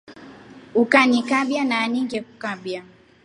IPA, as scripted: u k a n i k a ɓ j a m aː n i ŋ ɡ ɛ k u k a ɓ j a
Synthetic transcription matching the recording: u k a n i k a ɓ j a n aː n i ŋ ɡ ɛ k u k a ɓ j a